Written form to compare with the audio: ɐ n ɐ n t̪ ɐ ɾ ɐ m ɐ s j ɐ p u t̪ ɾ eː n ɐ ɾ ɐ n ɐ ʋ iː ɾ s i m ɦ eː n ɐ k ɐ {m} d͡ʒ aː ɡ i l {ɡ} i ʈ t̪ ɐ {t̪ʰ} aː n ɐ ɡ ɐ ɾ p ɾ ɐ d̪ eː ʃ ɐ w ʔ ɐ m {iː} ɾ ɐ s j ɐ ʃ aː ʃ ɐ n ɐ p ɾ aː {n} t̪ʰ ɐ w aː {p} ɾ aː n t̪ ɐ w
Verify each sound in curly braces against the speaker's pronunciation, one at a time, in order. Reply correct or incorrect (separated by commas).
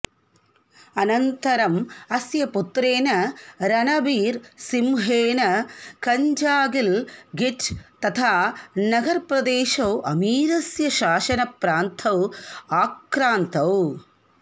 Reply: incorrect, correct, correct, correct, correct, incorrect